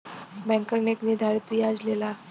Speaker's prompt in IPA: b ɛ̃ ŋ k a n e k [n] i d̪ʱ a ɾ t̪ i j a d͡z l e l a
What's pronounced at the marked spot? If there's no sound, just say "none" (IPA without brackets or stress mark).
n